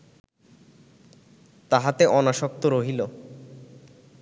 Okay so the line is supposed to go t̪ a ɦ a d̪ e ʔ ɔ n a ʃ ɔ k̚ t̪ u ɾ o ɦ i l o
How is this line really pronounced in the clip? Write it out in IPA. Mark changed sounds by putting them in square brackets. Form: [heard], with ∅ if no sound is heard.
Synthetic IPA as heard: t̪ a ɦ a [t̪] e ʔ ɔ n a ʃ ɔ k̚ t̪ [o] ɾ o ɦ i l o